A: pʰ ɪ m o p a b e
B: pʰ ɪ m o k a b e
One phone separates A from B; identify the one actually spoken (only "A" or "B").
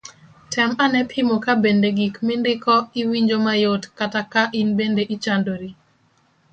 B